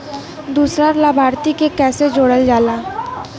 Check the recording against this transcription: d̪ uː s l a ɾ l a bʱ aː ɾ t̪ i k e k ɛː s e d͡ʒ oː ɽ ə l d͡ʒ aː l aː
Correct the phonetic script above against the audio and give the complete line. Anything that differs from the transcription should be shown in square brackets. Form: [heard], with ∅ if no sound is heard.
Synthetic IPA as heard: d̪ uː s [ɾ] a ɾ l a bʱ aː ɾ t̪ i k e k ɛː s e d͡ʒ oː ɽ ə l d͡ʒ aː l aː